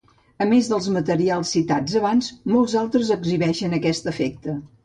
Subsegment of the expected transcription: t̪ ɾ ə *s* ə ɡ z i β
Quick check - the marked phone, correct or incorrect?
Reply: incorrect